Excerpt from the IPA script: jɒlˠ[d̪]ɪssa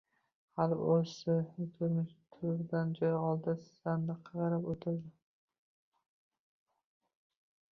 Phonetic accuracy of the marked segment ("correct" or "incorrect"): correct